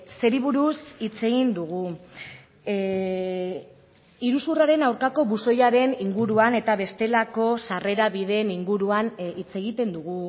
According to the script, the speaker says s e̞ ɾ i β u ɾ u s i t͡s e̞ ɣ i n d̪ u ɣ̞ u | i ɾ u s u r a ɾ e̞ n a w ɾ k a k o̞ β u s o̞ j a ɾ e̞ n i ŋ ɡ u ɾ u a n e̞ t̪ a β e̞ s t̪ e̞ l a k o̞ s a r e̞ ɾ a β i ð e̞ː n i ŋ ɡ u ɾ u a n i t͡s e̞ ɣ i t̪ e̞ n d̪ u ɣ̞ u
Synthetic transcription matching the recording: s e̞ ɾ i β u ɾ u s i t͡s e̞ ɣ i n d̪ u ɣ̞ u | i ɾ u s u r a ɾ e̞ n a w ɾ k a k o̞ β u s o̞ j a ɾ e̞ n i ŋ ɡ u ɾ u a n e̞ t̪ a β e̞ s t̪ e̞ l a k o̞ s a r e̞ ɾ a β i ð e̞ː n i ŋ ɡ u ɾ u a n i t͡s e̞ ɣ i t̪ e̞ n d̪ u ɣ̞ u

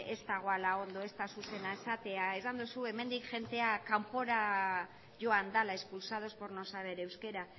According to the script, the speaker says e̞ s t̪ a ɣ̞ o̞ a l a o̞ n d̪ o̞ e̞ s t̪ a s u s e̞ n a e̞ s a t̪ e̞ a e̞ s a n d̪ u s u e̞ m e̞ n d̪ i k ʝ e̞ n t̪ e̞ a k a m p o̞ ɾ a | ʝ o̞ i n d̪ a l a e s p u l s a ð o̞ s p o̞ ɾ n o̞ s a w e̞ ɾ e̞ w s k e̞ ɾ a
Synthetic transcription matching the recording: e̞ s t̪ a ɣ̞ o̞ a l a o̞ n d̪ o̞ e̞ s t̪ a s u s e̞ n a e̞ s a t̪ e̞ a e̞ s a n d̪ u s u e̞ m e̞ n d̪ i k ʝ e̞ n t̪ e̞ a k a m p o̞ ɾ a | ʝ o̞ a n d̪ a l a e s p u l s a ð o̞ s p o̞ ɾ n o̞ s a β e̞ ɾ e̞ w s k e̞ ɾ a

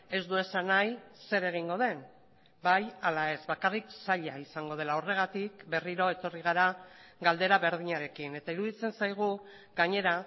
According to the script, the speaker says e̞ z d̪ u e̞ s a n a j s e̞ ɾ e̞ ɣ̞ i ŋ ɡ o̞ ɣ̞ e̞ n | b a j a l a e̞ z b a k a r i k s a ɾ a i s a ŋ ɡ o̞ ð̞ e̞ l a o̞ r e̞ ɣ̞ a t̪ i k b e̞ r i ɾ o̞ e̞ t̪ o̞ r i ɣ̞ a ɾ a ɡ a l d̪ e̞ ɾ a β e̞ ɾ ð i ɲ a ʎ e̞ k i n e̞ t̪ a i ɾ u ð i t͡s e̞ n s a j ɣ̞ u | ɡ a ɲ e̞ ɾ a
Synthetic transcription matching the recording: e̞ z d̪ u e̞ s a n a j s e̞ ɾ e̞ ɣ̞ i ŋ ɡ o̞ ð̞ e̞ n | b a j a l a e̞ z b a k a r i k s a ʎ a i s a ŋ ɡ o̞ ð̞ e̞ l a o̞ r e̞ ɣ̞ a t̪ i k b e̞ r i ɾ o̞ e̞ t̪ o̞ r i ɣ̞ a ɾ a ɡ a l d̪ e̞ ɾ a β e̞ ɾ ð i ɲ a ɾ e̞ k i n e̞ t̪ a i ɾ u ð i t͡s e̞ n s a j ɣ̞ u | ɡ a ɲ e̞ ɾ a

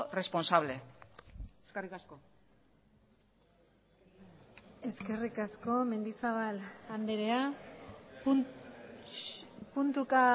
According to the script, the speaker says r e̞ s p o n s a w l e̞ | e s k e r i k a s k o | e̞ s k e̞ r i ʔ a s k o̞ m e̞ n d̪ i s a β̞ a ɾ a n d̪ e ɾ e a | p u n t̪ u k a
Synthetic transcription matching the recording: r e̞ s p o n s a β l e̞ | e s k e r i k a s k o | e̞ s k e̞ r i k a s k o̞ m e̞ n d̪ i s a β̞ a l a n d̪ e ɾ e a | p u n t̪ u k a

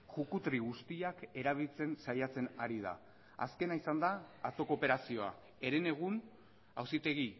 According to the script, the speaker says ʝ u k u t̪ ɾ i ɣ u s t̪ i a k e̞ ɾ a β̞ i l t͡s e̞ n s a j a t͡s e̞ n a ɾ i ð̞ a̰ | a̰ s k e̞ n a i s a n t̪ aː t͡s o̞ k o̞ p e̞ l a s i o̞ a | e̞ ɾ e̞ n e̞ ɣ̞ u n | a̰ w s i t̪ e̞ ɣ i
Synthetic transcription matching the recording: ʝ u k u t̪ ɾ i ɣ u s t̪ i a k e̞ ɾ a β̞ i l t͡s e̞ n s a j a t͡s e̞ n a ɾ i ð̞ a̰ | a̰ s k e̞ n a i s a n d̪ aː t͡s o̞ k o̞ p e̞ ɾ a s i o̞ a | e̞ ɾ e̞ n e̞ ɣ̞ u n | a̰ w s i t̪ e̞ ɣ i

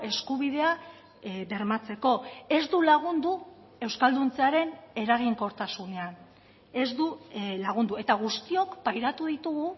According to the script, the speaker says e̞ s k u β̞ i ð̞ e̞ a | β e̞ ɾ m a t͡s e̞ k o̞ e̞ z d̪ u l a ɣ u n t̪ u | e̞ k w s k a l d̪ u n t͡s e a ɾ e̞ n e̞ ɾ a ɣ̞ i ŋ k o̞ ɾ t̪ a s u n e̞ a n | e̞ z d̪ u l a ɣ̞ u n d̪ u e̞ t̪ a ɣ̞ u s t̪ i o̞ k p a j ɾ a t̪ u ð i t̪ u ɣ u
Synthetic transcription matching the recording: e̞ s k u β̞ i ð̞ e̞ a | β e̞ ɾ m a t͡s e̞ k o̞ e̞ z d̪ u l a ɣ u n d̪ u | e̞ w s k a l d̪ u n t͡s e a ɾ e̞ n e̞ ɾ a ɣ̞ i ŋ k o̞ ɾ t̪ a s u n e̞ a n | e̞ z d̪ u l a ɣ̞ u n d̪ u e̞ t̪ a ɣ̞ u s t̪ i o̞ k p a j ɾ a t̪ u ð i t̪ u ɣ u

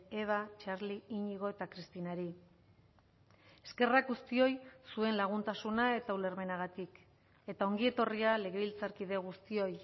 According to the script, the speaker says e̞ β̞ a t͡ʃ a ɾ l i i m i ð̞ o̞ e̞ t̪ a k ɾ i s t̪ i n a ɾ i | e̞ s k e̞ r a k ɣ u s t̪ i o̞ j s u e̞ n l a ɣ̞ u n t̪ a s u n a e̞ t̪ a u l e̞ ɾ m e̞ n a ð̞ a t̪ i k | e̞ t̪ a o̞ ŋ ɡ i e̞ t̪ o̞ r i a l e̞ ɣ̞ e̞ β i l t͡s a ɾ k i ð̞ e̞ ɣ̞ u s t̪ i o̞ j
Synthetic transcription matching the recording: e̞ β̞ a t͡ʃ a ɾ l i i ɲ i ɣ̞ o̞ e̞ t̪ a k ɾ i s t̪ i n a ɾ i | e̞ s k e̞ r a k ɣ u s t̪ i o̞ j s u e̞ n l a ɣ̞ u n t̪ a s u n a e̞ t̪ a u l e̞ ɾ m e̞ n a ɣ̞ a t̪ i k | e̞ t̪ a o̞ ŋ ɡ i e̞ t̪ o̞ r i a l e̞ ɣ̞ e̞ β i l t͡s a ɾ k i ð̞ e̞ ɣ̞ u s t̪ i o̞ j

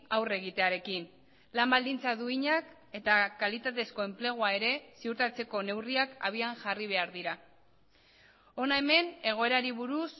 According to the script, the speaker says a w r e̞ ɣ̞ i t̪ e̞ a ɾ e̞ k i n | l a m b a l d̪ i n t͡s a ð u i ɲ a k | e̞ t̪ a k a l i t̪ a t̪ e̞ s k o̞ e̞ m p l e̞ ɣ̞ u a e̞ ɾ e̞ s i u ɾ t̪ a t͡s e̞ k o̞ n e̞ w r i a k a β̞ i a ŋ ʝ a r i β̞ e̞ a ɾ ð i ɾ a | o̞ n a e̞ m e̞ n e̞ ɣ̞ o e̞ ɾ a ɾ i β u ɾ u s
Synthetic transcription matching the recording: a w r e̞ ɣ̞ i t̪ e̞ a ɾ e̞ k i n | l a m b a l d̪ i n t͡s a ð u i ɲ a k | e̞ t̪ a k a l i t̪ a t̪ e̞ s k o̞ e̞ m p l e̞ ɣ̞ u a e̞ ɾ e̞ s i u ɾ t̪ a t͡s e̞ k o̞ n e̞ w r i a k a β̞ i a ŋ ʝ a r i β̞ e̞ a ɾ ð i ɾ a | o̞ n a e̞ m e̞ n e̞ ɣ̞ o e̞ ɾ a ɾ i β u ɾ u s

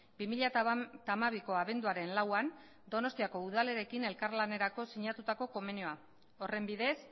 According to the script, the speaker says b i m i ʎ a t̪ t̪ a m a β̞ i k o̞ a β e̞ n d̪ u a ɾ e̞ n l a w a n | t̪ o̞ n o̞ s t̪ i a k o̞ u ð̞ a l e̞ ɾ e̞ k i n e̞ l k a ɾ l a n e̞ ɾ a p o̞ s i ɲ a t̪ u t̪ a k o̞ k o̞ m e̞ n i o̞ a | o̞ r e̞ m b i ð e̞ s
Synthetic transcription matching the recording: b i m i ʎ a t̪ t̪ a m a β̞ i k o̞ a β e̞ n d̪ u a ɾ e̞ n l a w a n | d̪ o̞ n o̞ s t̪ i a k o̞ u ð̞ a l e̞ ɾ e̞ k i n e̞ l k a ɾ l a n e̞ ɾ a k o̞ s i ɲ a t̪ u t̪ a k o̞ k o̞ m e̞ n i o̞ a | o̞ r e̞ m b i ð e̞ s

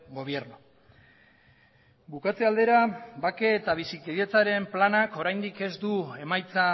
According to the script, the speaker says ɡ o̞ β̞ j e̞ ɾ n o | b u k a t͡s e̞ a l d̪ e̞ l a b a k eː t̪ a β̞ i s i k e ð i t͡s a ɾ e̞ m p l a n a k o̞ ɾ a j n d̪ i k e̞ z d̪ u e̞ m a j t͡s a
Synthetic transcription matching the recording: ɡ o̞ β̞ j e̞ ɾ n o | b u k a t͡s e̞ a l d̪ e̞ ɾ a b a k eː t̪ a β̞ i s i k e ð e t͡s a ɾ e̞ m p l a n a k o̞ ɾ a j n d̪ i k e̞ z d̪ u e̞ m a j t͡s a

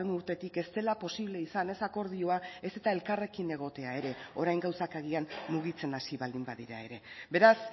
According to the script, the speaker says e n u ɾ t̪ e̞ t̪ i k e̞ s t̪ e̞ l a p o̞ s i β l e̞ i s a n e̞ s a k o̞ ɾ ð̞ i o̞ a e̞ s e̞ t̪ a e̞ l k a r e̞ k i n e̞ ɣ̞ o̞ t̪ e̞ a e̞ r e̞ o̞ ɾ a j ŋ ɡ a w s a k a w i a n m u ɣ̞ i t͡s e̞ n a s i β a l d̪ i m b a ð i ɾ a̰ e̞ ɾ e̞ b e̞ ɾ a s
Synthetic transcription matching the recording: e n u ɾ t̪ e̞ t̪ i k e̞ s t̪ e̞ l a p o̞ s i β l e̞ i s a n e̞ s a k o̞ ɾ ð̞ i o̞ a e̞ s e̞ t̪ a e̞ l k a r e̞ k i n e̞ ɣ̞ o̞ t̪ e̞ a e̞ ɾ e̞ o̞ ɾ a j ŋ ɡ a w s a k a ɣ i a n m u ɣ̞ i t͡s e̞ n a s i β a l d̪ i m b a ð i ɾ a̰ e̞ ɾ e̞ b e̞ ɾ a s

